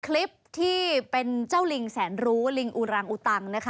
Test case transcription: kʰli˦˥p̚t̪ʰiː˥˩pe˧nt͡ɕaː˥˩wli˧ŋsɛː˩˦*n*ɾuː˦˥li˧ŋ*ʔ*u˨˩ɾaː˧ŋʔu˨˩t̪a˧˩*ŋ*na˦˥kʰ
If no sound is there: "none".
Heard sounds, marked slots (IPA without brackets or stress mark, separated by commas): n, ʔ, ŋ